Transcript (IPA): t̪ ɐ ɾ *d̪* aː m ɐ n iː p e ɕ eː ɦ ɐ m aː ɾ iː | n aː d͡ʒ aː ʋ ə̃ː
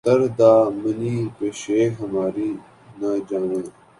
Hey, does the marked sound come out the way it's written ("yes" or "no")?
yes